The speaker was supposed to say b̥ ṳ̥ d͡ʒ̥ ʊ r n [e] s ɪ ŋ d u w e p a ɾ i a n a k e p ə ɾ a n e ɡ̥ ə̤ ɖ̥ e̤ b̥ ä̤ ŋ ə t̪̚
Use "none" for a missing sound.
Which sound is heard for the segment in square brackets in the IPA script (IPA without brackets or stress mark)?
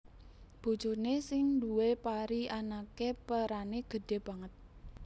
e